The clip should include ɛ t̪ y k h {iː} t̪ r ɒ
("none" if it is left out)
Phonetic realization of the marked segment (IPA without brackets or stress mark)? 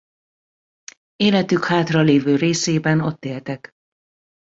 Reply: aː